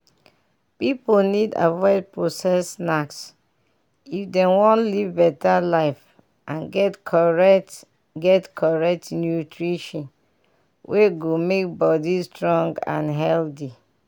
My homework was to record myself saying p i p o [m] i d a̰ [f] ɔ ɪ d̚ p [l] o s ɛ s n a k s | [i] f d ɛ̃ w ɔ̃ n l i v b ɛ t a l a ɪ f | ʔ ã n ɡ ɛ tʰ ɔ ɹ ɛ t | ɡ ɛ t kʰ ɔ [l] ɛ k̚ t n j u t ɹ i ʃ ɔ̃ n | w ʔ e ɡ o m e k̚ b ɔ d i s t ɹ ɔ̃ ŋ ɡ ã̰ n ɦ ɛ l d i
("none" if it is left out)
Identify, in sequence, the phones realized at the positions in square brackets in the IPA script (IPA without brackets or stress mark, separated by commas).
n, v, ɹ, i, ɹ